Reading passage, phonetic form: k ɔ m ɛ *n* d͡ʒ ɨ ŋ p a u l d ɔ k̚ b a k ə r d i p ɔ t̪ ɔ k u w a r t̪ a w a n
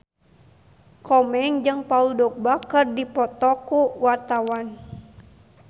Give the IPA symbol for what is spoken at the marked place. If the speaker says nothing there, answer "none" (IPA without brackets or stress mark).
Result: ŋ